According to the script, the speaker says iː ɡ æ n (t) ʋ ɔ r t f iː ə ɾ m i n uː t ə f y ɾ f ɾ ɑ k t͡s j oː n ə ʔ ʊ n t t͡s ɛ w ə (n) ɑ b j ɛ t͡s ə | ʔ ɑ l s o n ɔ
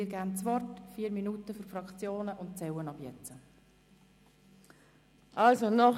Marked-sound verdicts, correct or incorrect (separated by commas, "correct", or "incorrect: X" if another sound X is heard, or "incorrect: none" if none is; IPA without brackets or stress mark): incorrect: t͡s, correct